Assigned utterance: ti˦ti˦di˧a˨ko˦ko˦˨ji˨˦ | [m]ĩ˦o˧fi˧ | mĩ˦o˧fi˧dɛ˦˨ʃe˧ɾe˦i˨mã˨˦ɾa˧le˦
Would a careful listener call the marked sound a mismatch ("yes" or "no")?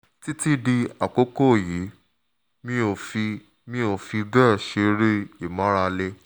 no